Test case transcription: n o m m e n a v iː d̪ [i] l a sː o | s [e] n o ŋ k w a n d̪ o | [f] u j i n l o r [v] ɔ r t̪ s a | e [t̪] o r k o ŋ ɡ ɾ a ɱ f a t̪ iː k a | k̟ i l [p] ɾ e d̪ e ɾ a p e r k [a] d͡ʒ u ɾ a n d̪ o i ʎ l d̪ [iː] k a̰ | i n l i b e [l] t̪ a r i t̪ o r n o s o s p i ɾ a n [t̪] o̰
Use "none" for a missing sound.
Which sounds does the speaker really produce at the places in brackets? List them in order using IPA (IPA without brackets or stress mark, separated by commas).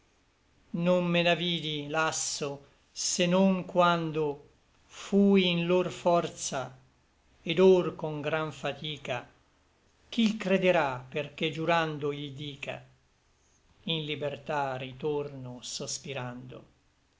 i, e, f, f, d̪, k, e, iː, r, d̪